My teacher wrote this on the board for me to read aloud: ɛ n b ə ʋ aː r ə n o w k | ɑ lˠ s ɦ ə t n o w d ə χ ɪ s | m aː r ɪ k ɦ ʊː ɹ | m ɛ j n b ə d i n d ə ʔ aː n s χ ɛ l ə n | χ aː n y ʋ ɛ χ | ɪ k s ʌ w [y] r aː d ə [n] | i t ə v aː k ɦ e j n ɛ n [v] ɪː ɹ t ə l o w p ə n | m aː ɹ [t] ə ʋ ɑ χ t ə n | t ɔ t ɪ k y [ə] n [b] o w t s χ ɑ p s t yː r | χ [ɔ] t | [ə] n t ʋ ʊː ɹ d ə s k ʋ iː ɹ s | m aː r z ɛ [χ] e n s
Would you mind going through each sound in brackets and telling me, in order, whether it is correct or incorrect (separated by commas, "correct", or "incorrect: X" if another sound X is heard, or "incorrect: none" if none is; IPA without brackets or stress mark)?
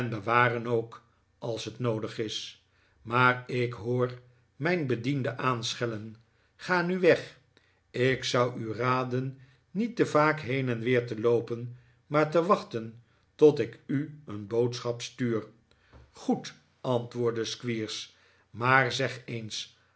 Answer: correct, incorrect: nː, incorrect: ʋ, correct, correct, correct, incorrect: u, incorrect: ɑ, correct